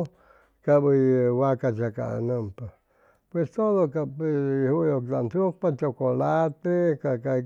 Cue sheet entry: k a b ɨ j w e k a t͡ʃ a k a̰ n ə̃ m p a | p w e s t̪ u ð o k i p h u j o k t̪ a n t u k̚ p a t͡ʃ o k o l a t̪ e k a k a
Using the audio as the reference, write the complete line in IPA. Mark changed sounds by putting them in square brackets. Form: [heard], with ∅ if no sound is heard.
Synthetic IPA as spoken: k a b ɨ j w [a] k a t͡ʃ a k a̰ n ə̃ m p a | p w e s t̪ [o] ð o k [a] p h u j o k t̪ a n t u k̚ p a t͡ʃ o k o l a t̪ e k a k a